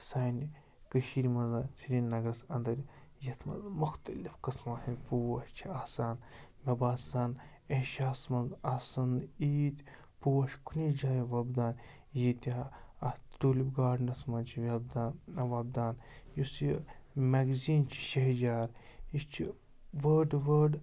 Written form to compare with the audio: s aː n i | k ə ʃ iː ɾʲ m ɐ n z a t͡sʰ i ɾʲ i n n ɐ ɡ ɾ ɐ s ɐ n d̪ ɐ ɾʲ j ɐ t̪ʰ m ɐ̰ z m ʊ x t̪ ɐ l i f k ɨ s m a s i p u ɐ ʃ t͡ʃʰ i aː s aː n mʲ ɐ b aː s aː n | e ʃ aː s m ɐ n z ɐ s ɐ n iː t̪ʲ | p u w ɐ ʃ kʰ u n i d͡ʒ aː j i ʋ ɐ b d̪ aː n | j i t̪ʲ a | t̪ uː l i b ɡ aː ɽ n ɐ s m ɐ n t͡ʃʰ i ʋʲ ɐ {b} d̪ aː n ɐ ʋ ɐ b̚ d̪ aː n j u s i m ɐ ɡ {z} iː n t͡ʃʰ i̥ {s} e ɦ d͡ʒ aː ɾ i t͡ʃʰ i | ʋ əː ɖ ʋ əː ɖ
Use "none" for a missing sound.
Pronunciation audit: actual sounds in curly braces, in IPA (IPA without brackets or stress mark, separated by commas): b, z, ʃ